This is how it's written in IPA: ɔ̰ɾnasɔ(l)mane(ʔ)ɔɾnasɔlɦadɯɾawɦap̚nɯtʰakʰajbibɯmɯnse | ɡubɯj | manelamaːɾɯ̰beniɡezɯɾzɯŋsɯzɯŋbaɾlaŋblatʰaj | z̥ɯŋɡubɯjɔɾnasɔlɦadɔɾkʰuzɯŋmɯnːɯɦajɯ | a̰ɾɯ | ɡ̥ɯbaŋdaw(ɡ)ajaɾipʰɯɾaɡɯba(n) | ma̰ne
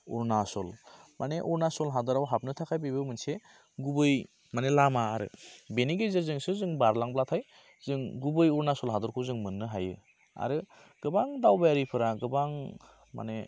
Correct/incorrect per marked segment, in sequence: correct, correct, incorrect, incorrect

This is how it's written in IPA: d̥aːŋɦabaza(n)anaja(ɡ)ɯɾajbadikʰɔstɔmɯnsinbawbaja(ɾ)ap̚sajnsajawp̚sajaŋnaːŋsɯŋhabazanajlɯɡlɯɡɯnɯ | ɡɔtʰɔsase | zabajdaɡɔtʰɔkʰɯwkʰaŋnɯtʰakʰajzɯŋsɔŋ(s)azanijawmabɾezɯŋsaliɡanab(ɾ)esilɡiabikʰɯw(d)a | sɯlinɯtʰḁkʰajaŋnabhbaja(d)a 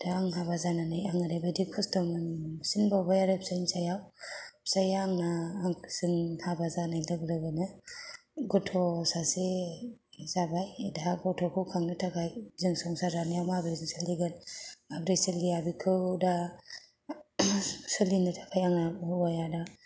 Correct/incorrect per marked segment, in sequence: correct, incorrect, correct, correct, correct, correct, correct

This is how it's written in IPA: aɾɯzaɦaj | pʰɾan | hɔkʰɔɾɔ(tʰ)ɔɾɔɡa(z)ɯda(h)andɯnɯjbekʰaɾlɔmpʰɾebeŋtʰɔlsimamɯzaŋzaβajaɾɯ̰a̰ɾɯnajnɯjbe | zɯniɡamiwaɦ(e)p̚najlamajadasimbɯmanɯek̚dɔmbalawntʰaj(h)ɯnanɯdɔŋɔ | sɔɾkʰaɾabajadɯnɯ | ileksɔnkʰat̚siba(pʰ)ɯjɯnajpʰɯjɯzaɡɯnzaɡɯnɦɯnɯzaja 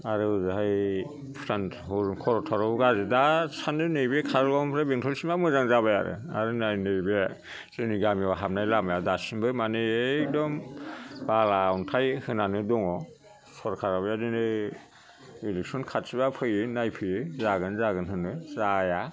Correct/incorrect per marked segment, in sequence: correct, correct, incorrect, incorrect, correct, correct

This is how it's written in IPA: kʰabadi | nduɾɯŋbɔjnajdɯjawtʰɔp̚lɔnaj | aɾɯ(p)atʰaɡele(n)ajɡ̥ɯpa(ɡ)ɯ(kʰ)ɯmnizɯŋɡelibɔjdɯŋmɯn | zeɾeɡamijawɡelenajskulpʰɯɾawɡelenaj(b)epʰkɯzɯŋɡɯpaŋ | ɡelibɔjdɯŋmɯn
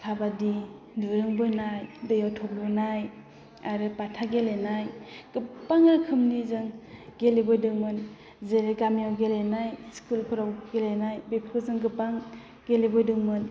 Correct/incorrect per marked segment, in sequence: correct, correct, incorrect, correct, correct

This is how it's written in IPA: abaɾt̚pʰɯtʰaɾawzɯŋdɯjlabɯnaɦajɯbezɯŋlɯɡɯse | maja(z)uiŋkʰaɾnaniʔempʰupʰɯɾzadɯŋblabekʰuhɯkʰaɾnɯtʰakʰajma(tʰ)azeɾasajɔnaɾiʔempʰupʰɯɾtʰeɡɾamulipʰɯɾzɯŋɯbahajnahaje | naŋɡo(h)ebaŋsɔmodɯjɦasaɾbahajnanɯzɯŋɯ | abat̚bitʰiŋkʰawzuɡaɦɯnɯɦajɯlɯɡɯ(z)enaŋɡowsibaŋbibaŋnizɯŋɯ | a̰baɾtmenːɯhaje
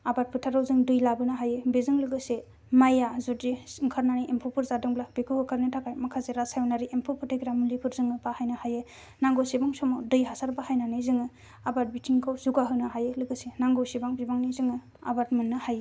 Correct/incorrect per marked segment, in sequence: correct, incorrect, incorrect, incorrect

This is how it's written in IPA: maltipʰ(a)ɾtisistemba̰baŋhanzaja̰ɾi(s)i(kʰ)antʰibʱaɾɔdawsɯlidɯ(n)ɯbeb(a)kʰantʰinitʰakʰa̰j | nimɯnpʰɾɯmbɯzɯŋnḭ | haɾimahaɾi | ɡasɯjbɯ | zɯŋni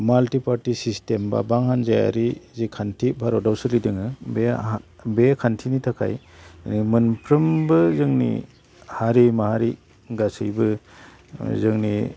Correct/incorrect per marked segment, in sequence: correct, incorrect, correct, incorrect, incorrect

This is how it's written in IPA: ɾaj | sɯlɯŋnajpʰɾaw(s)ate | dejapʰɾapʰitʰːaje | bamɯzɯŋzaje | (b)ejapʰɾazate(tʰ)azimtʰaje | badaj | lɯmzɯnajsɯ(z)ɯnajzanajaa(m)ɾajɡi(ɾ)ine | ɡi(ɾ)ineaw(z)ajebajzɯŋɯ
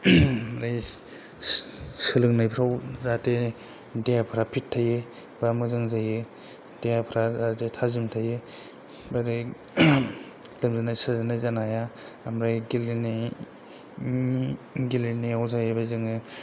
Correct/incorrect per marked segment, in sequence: incorrect, incorrect, correct, correct, correct, incorrect, incorrect, correct

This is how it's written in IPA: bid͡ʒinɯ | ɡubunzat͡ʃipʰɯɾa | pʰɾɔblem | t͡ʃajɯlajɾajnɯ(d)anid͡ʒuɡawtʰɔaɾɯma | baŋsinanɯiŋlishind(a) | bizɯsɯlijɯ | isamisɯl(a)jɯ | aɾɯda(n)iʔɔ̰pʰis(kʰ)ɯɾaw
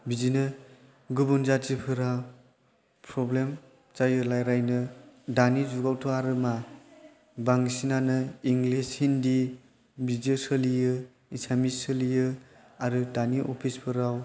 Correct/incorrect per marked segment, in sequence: correct, incorrect, incorrect, correct, incorrect

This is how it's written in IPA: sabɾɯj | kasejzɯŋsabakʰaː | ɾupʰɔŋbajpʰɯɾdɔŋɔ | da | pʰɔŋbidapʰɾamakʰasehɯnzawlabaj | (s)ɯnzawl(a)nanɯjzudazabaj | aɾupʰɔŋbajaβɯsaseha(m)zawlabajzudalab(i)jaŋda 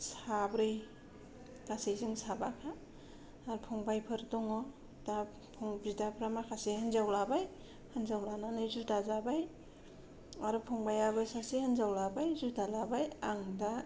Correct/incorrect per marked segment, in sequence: incorrect, correct, incorrect, incorrect

